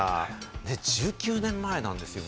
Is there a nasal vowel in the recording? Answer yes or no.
yes